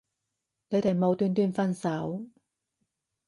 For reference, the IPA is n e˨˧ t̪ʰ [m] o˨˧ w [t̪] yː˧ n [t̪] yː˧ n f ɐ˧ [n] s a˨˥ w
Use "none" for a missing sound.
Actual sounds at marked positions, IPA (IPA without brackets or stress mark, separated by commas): m, t̪, t̪, n